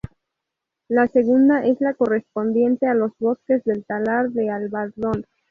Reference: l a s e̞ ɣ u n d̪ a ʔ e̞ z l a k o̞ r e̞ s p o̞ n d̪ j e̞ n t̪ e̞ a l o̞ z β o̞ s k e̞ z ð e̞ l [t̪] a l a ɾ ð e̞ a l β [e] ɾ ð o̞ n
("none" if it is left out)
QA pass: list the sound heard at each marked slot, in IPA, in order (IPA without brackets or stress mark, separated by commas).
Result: t̪, a